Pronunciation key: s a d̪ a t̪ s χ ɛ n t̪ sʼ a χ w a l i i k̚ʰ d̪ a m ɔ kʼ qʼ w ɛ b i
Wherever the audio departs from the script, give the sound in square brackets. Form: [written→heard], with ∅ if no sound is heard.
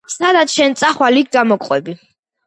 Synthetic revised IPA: s a d̪ a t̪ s [χ→ʃ] ɛ n t̪ sʼ a χ w a l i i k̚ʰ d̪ a m ɔ kʼ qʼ w ɛ b i